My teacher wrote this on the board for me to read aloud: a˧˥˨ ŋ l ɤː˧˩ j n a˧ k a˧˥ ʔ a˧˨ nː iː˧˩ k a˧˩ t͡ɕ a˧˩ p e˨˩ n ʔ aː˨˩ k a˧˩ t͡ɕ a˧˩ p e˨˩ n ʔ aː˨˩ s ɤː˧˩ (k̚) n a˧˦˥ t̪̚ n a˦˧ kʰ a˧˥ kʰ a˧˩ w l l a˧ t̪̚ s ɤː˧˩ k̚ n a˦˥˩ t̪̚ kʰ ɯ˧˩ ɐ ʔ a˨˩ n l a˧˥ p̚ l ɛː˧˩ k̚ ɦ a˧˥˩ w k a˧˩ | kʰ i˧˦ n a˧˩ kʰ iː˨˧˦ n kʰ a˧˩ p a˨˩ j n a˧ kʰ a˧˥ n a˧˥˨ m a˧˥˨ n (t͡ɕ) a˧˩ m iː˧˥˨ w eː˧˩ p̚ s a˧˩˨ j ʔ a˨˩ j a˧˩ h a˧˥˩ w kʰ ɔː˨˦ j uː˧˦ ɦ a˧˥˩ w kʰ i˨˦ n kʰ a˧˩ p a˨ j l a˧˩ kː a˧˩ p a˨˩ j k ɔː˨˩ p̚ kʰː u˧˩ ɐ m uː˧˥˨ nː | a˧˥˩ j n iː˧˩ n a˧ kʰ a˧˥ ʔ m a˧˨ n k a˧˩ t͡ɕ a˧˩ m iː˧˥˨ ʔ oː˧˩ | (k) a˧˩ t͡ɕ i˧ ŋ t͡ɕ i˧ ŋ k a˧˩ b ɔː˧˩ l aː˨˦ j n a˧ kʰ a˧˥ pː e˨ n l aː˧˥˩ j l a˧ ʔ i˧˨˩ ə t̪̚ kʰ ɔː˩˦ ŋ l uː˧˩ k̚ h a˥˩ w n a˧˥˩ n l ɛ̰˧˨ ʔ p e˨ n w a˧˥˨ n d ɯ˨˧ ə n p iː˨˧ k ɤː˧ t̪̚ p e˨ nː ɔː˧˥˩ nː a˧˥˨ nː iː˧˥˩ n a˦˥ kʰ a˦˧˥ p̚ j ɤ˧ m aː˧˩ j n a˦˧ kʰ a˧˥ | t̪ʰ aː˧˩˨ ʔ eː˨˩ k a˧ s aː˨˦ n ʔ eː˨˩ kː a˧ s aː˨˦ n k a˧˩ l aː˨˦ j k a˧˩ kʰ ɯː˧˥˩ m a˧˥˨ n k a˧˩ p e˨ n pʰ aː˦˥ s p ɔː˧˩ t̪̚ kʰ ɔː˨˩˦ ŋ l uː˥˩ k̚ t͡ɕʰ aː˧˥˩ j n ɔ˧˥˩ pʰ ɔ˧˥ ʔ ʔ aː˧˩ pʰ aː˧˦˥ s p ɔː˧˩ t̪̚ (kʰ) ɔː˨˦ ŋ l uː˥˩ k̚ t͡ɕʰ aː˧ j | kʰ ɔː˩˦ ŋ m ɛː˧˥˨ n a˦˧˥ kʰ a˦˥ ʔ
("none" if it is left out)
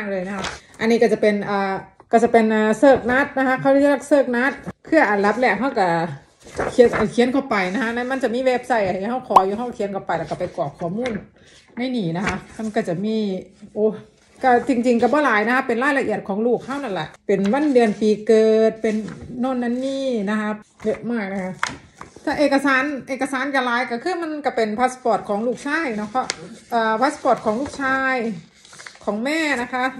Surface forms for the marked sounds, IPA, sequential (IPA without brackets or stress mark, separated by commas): k̚, t͡ɕ, k, kʰ